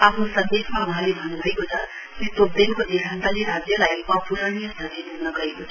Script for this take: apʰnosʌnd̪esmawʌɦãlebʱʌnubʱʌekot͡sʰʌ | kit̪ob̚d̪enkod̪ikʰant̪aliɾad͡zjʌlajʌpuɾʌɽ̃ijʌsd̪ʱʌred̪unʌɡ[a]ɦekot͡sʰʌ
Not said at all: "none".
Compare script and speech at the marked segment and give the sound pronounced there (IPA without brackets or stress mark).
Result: ʌ